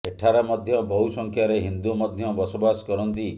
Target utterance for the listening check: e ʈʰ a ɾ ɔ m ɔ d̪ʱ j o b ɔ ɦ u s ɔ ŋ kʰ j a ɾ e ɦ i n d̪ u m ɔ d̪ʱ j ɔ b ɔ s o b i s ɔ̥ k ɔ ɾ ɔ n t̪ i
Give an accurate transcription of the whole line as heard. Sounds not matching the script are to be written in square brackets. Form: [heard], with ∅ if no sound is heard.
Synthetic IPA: e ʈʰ a ɾ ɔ m ɔ d̪ʱ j [ɔ] b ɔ ɦ u s ɔ ŋ kʰ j a ɾ e ɦ i n d̪ u m ɔ d̪ʱ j ɔ b ɔ s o b [a] s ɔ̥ k ɔ ɾ ɔ n t̪ i